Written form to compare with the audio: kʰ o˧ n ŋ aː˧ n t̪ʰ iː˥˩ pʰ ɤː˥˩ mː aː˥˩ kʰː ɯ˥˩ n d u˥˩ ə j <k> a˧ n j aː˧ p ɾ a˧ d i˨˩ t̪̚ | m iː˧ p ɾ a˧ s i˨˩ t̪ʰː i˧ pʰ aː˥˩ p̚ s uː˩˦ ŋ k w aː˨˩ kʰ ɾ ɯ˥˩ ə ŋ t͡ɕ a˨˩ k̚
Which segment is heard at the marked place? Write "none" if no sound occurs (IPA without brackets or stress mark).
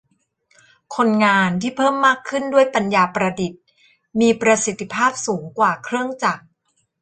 p